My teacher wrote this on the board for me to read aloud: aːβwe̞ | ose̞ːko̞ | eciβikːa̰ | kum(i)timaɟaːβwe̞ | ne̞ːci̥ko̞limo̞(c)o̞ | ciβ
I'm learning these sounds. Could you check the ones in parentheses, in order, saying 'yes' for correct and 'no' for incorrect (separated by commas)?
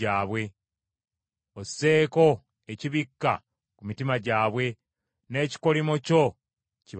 yes, yes